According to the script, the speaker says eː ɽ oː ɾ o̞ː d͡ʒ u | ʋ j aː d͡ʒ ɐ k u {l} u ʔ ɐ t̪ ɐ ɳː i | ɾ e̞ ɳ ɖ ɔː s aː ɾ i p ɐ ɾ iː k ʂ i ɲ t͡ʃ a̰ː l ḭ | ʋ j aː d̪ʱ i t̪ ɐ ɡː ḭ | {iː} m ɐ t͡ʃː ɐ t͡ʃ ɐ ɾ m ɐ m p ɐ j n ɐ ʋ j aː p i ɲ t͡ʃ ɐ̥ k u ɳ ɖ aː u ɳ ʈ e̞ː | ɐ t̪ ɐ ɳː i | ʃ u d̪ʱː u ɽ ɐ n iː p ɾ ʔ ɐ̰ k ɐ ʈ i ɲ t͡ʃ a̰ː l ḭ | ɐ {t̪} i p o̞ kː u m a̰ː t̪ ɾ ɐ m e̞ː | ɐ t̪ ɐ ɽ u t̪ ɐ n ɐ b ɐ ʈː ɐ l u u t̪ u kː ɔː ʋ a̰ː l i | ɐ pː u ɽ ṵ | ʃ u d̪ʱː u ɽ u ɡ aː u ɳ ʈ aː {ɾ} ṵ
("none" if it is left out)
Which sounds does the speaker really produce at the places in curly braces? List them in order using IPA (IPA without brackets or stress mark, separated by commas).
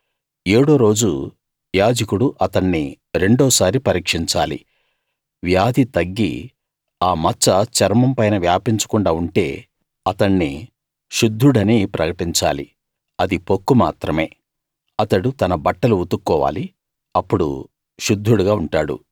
ɽ, aː, d̪, ɽ